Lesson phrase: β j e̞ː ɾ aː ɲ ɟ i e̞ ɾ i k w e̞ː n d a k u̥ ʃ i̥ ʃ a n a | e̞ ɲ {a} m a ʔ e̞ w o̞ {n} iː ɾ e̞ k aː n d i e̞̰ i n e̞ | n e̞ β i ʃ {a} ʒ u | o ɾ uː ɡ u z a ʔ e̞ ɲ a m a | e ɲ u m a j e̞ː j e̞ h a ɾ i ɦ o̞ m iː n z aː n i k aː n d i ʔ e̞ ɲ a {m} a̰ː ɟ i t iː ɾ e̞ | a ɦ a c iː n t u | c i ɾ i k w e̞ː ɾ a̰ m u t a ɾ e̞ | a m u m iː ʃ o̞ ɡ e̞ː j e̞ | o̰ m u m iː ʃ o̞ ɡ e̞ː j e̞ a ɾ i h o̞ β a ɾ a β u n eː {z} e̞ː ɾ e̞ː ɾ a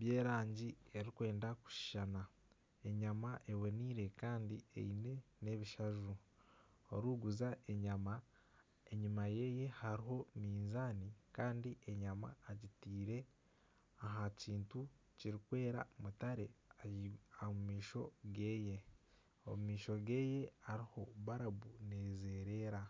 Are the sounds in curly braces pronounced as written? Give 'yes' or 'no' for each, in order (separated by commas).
yes, yes, yes, yes, yes